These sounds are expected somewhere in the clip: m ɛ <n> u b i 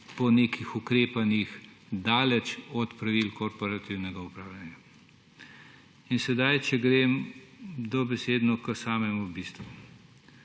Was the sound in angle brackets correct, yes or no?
no